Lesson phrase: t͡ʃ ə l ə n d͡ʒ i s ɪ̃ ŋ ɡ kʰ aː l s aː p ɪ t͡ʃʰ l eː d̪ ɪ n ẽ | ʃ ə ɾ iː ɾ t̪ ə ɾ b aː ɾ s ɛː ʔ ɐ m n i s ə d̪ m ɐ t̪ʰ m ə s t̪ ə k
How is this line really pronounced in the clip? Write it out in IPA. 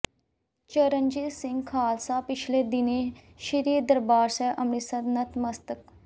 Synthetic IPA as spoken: t͡ʃ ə ɾ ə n d͡ʒ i s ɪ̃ ŋ ɡ kʰ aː l s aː p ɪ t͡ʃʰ l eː d̪ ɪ n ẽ | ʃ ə ɾ iː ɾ d̪ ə ɾ b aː ɾ s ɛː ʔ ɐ m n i s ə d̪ n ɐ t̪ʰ m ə s t̪ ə k